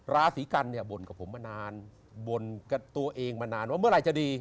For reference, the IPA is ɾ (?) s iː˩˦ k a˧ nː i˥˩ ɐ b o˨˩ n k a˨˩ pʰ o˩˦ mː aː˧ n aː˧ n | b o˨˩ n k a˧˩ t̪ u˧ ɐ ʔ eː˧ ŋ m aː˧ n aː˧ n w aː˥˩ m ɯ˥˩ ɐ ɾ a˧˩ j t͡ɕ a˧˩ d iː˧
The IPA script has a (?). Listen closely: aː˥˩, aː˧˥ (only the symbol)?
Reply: aː˧˥